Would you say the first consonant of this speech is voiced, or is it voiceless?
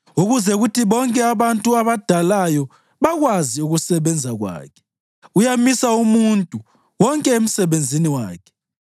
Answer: voiced